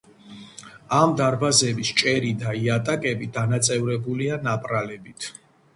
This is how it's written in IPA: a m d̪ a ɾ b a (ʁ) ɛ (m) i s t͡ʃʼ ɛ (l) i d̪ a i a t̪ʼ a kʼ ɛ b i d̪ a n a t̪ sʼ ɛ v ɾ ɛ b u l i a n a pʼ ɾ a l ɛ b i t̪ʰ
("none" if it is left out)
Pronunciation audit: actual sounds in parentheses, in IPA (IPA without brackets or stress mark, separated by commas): z, b, ɾ